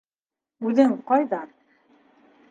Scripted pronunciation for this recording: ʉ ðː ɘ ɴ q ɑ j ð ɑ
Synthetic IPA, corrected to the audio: ʉ ð ɘ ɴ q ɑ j ð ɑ